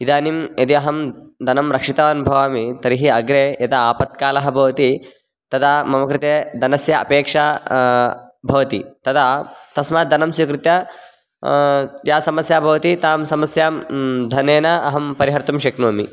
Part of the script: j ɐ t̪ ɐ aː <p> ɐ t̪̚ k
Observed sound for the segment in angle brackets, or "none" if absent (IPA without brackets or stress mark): p